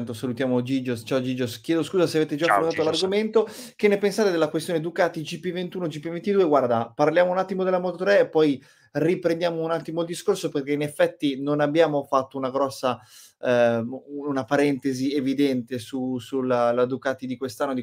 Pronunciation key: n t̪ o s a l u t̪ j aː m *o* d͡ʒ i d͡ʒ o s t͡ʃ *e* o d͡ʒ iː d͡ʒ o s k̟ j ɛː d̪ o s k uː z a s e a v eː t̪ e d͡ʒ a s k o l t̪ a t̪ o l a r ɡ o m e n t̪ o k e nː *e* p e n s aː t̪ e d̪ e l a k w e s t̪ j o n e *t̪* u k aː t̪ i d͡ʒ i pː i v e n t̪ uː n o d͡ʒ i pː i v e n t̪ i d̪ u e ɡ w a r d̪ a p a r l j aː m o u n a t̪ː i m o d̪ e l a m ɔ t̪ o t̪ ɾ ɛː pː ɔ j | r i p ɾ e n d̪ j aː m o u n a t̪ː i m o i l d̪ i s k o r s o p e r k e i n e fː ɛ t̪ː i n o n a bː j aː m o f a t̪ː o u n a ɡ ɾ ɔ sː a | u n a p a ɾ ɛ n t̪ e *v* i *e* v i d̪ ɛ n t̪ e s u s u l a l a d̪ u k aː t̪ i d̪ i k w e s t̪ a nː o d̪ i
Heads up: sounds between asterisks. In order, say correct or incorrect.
correct, incorrect, correct, incorrect, incorrect, correct

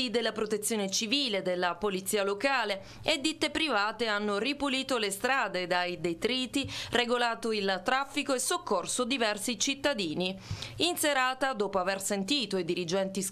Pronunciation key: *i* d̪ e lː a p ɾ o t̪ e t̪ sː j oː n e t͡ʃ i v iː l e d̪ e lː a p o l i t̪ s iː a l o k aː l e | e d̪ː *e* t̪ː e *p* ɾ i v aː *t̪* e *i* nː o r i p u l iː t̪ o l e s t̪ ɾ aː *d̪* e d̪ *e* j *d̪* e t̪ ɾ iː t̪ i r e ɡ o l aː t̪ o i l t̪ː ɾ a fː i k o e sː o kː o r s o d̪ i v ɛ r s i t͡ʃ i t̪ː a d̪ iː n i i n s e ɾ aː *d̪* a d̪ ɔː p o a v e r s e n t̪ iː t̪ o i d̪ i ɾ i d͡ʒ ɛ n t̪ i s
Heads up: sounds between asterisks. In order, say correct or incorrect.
correct, incorrect, correct, correct, incorrect, correct, incorrect, correct, incorrect

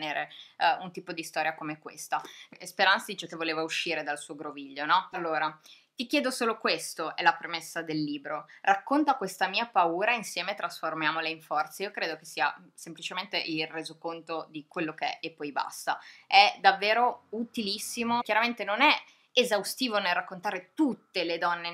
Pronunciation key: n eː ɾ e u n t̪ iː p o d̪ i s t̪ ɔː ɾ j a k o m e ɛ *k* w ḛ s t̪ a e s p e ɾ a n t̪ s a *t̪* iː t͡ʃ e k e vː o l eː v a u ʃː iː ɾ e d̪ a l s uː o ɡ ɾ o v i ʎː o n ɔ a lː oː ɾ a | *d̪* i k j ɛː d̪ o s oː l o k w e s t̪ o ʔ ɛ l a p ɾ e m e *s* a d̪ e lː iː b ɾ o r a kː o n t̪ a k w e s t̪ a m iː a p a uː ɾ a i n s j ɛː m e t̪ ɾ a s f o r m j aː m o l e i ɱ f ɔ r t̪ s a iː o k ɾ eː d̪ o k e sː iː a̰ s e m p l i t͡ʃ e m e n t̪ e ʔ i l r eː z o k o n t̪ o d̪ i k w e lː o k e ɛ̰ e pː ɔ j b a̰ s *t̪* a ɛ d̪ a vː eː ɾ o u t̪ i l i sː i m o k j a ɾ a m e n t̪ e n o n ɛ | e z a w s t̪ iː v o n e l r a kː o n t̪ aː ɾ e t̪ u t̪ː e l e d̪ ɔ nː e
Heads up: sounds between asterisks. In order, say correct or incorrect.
correct, incorrect, incorrect, incorrect, correct

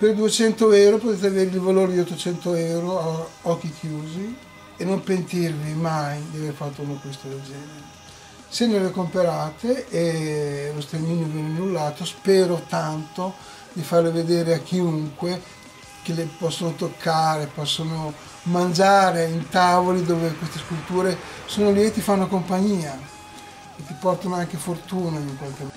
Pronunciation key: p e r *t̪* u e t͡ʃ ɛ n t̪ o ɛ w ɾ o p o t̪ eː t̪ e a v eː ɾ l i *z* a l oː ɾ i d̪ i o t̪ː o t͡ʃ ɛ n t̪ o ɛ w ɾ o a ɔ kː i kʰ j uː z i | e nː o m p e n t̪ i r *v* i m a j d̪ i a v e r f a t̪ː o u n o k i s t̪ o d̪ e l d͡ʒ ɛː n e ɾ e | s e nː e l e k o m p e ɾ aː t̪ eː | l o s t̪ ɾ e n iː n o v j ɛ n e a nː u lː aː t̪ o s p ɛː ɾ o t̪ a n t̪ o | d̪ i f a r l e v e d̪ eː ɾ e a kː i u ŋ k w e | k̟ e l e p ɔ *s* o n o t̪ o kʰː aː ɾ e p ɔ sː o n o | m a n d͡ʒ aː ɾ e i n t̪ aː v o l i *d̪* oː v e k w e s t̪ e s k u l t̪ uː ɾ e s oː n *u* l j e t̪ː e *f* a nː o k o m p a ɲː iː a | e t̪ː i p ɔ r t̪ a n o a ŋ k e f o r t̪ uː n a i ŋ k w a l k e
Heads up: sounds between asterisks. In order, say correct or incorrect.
incorrect, incorrect, correct, incorrect, correct, incorrect, correct

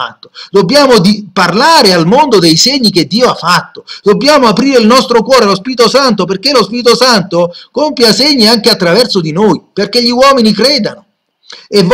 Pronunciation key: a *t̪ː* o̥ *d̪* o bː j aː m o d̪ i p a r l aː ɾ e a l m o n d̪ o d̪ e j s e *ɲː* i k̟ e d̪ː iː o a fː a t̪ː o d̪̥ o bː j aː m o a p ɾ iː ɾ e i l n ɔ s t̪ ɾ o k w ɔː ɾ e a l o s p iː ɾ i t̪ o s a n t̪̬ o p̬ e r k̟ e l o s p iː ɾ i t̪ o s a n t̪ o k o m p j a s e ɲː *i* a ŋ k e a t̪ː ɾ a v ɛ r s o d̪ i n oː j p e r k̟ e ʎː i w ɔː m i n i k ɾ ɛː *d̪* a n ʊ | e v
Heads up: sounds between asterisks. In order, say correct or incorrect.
correct, correct, correct, correct, correct

